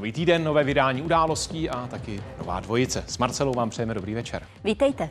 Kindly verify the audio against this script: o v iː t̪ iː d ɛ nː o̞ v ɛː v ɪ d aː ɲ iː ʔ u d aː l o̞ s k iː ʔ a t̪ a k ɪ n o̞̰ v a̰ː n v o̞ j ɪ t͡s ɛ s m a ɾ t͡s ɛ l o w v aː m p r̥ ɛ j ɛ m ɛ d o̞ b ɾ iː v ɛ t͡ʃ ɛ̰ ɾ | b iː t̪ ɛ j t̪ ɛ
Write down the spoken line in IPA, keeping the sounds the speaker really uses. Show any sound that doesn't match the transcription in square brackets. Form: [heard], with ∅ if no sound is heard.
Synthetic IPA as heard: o v iː t̪ iː d ɛ nː o̞ v ɛː v ɪ d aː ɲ iː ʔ u d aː l o̞ s [c] iː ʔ a t̪ a k ɪ n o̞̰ v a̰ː [d] v o̞ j ɪ t͡s ɛ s m a ɾ t͡s ɛ l o w v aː m p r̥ ɛ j ɛ m ɛ d o̞ b ɾ iː v ɛ t͡ʃ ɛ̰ ɾ | [v] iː t̪ ɛ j t̪ ɛ